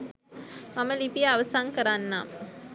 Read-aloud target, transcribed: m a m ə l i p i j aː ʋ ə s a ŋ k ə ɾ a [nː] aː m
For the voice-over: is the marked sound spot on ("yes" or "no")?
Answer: yes